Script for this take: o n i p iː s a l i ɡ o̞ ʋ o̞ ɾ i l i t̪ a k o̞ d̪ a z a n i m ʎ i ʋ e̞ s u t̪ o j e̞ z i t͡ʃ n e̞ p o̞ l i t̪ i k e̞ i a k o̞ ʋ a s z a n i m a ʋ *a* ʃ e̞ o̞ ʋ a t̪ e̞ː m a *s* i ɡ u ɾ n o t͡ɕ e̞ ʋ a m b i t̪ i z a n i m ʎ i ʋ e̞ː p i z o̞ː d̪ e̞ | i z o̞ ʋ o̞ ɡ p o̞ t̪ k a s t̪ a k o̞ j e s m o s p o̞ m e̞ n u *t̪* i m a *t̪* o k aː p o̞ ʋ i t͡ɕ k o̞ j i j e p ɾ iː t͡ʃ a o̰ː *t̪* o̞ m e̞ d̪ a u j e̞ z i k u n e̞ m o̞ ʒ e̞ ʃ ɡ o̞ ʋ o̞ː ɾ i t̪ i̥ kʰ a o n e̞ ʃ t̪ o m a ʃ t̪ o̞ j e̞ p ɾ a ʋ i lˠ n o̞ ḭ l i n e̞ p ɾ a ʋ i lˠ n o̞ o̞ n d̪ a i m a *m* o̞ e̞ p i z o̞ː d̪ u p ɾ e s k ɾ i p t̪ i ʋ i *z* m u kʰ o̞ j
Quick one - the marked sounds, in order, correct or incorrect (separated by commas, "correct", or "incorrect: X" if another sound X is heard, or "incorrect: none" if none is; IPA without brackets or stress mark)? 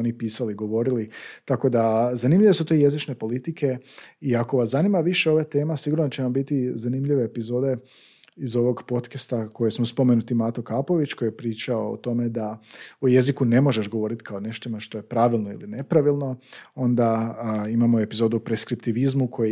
incorrect: i, correct, correct, correct, correct, correct, correct